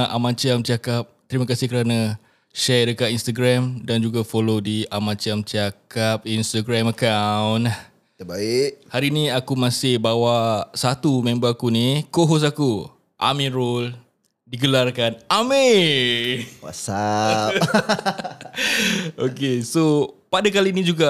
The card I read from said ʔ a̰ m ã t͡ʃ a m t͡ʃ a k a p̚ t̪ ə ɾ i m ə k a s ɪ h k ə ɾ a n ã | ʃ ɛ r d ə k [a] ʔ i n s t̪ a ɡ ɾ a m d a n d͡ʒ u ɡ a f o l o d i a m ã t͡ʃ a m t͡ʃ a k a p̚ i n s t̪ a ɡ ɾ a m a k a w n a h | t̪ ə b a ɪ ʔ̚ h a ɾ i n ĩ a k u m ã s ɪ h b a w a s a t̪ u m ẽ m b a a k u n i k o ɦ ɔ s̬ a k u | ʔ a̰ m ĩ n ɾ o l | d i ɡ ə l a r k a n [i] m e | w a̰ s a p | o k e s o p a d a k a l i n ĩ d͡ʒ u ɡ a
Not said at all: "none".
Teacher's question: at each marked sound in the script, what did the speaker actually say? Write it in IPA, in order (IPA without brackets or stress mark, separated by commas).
a, a